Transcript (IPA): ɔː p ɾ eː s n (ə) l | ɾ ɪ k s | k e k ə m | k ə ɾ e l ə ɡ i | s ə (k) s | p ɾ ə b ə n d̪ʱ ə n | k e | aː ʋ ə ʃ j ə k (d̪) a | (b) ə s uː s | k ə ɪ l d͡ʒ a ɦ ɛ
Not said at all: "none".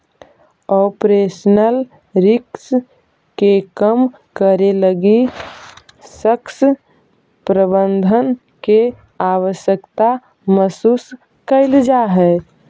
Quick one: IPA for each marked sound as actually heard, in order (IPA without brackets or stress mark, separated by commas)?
ə, k, t̪, m